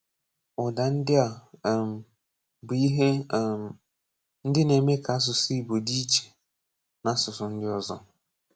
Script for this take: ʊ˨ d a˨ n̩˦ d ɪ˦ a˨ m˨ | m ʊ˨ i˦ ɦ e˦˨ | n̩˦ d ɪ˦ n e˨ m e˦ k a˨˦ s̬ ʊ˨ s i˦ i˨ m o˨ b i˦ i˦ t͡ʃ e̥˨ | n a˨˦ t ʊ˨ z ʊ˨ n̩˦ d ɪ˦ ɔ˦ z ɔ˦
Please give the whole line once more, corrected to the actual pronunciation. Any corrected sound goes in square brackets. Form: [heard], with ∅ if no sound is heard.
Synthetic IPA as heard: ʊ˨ d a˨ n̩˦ d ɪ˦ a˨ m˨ | [b] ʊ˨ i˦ ɦ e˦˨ | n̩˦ d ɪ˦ n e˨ m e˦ k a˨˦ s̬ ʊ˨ s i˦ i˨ [b] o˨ [d] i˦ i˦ t͡ʃ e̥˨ | n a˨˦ [s] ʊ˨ [s] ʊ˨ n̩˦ d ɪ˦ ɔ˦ z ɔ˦